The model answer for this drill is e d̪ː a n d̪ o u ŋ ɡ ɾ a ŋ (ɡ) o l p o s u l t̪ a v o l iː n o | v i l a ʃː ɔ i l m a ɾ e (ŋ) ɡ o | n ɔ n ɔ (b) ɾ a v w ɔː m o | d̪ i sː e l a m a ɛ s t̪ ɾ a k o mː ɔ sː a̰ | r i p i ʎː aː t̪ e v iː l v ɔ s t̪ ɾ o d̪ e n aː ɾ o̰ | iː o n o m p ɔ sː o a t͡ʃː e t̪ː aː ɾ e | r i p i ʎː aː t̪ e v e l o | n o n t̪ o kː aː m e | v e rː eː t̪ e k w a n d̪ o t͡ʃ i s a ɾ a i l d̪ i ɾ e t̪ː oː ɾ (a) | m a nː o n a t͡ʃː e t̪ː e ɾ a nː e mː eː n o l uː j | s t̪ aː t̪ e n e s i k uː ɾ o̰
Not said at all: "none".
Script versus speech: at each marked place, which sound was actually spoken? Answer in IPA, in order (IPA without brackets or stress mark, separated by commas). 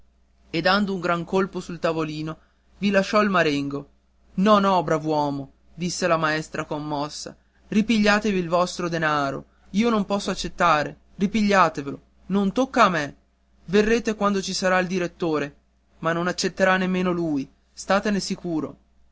k, ŋ, b, e